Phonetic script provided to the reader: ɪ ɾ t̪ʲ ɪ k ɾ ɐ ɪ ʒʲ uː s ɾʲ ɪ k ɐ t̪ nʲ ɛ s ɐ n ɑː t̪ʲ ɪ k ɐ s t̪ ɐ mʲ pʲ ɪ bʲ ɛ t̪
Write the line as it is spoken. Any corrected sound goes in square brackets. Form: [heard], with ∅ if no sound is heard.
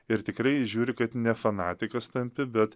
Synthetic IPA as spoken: ɪ ɾ t̪ʲ ɪ k ɾ ɐ ɪ ʒʲ uː [∅] ɾʲ ɪ k ɐ t̪ nʲ ɛ [f] ɐ n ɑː t̪ʲ ɪ k ɐ s t̪ ɐ mʲ pʲ ɪ bʲ ɛ t̪